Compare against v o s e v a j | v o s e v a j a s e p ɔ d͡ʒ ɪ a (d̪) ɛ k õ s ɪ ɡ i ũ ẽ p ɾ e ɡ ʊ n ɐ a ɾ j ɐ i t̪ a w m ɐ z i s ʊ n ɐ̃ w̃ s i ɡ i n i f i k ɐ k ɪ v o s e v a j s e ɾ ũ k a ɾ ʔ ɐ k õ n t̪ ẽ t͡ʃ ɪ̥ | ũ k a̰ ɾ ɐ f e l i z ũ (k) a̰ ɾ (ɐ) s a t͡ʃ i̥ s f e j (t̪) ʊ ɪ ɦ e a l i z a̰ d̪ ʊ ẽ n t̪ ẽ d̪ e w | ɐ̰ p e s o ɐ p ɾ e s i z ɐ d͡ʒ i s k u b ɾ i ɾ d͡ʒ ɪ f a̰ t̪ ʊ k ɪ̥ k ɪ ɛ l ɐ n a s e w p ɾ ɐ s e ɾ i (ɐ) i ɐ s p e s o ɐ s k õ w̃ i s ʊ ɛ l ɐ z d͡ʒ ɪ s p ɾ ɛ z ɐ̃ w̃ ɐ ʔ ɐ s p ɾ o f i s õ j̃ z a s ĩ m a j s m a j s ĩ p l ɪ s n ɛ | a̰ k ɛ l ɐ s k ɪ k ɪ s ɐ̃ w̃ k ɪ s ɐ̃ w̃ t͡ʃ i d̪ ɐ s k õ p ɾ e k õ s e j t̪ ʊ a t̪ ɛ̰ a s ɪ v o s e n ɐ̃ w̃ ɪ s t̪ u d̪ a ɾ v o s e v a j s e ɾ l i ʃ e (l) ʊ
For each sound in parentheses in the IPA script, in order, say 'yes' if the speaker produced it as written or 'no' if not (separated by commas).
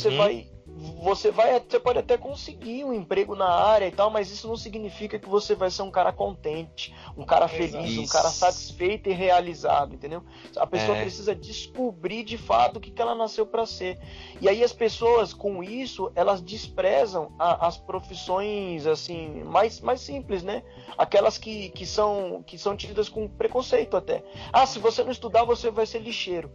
no, yes, yes, yes, no, no